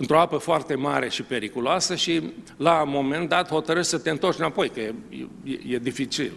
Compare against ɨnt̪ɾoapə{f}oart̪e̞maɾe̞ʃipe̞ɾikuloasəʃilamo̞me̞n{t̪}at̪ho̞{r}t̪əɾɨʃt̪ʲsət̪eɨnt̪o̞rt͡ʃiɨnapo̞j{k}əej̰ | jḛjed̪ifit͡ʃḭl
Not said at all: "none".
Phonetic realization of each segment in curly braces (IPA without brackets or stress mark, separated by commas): f, d̪, none, k